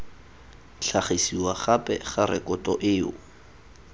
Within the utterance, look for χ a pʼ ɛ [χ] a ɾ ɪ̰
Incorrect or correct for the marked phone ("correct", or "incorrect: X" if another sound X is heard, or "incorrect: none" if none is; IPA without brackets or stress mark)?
correct